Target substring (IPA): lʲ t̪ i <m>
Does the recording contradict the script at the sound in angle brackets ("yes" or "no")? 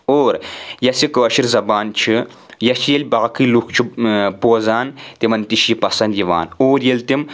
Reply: no